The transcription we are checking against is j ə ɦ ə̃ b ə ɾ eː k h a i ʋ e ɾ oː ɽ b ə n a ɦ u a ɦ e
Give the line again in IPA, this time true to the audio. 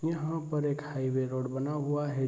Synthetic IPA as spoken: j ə ɦ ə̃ p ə ɾ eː k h a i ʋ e ɾ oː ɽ b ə n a ɦ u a ɦ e

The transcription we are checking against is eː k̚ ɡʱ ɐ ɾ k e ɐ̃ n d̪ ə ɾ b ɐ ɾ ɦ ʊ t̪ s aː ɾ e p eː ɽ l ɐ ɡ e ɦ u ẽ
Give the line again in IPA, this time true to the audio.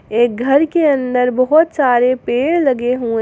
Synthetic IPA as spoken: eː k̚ ɡʱ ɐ ɾ k e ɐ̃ n d̪ ə ɾ b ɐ ɦ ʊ t̪ s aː ɾ e p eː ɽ l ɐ ɡ e ɦ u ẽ

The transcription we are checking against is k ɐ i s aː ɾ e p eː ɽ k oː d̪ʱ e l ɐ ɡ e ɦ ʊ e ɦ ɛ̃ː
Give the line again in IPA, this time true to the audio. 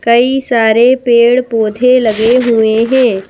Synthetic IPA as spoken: k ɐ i s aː ɾ e p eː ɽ p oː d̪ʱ e l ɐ ɡ e ɦ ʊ e ɦ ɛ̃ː

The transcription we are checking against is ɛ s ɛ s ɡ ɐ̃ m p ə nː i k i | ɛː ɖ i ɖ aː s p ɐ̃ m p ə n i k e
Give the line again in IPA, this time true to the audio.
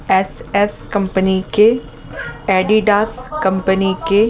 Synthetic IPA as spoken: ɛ s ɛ s k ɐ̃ m p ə n i k e | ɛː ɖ i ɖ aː s k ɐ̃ m p ə n i k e

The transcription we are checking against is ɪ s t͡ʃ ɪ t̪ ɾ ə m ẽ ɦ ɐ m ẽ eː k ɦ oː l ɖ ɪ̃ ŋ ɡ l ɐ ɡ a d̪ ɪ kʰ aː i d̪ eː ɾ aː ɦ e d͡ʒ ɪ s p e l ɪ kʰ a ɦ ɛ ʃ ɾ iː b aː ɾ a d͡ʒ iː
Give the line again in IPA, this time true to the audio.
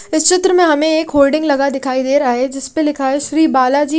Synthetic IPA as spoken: ɪ s t͡ʃ ɪ t̪ ɾ ə m ẽ ɦ ɐ m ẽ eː k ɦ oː l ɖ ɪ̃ ŋ ɡ l ɐ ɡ a d̪ ɪ kʰ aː i d̪ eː ɾ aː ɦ e d͡ʒ ɪ s p e l ɪ kʰ a ɦ ɛ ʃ ɾ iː b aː l a d͡ʒ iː

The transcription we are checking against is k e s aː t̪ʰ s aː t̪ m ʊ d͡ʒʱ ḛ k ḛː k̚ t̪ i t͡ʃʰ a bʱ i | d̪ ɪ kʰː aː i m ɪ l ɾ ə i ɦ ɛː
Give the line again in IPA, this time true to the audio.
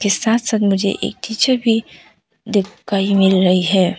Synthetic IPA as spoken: k e s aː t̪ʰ s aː t̪ m ʊ d͡ʒʱ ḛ ʔ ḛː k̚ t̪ i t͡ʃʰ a bʱ i | d̪ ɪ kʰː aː i m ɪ l ɾ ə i ɦ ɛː

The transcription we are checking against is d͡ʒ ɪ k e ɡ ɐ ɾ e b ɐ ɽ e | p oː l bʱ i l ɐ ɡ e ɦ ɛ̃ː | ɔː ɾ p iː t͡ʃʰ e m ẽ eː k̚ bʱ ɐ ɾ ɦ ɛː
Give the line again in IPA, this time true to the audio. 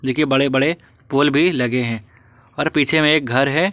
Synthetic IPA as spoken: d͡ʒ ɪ k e b ɐ ɽ e b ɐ ɽ e | p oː l bʱ i l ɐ ɡ e ɦ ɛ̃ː | ɔː ɾ p iː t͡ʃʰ e m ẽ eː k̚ ɡʱ ɐ ɾ ɦ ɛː

